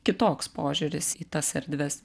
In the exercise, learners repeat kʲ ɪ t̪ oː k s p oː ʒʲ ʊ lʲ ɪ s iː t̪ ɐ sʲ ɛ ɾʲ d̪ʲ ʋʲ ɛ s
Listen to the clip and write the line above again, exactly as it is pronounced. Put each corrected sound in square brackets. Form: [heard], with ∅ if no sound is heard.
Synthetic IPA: kʲ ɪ t̪ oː k s p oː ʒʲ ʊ [ɾʲ] ɪ s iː t̪ ɐ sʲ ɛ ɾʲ d̪ʲ ʋʲ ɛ s